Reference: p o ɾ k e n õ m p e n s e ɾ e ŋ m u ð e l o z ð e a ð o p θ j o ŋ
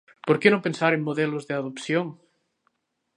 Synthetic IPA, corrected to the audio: p o ɾ k e n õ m p e n s a ɾ e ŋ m o ð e l o z ð e a ð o p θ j o ŋ